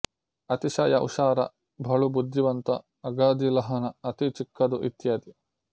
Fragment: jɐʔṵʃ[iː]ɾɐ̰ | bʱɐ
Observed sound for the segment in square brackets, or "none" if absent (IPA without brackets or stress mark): aː